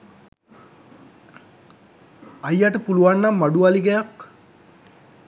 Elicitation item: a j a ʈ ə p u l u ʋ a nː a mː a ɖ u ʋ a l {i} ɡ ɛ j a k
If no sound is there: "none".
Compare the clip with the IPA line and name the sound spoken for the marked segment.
i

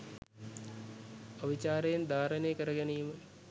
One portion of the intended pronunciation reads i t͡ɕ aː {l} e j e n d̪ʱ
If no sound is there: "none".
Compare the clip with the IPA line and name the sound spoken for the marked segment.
ɾ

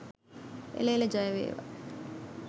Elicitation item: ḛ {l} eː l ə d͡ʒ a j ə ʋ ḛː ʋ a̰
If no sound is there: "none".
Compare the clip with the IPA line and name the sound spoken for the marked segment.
l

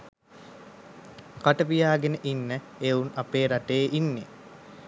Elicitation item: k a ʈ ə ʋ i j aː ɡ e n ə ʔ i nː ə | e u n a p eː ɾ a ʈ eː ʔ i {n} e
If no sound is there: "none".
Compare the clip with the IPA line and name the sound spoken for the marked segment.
nː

